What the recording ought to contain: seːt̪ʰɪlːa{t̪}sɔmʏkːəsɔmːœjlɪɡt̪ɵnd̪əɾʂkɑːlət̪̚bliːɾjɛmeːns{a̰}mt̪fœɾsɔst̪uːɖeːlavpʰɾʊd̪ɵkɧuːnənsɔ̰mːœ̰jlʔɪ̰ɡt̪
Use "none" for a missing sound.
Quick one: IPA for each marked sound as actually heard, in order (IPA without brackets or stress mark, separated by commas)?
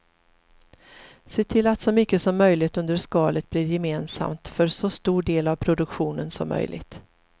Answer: t̪, a̰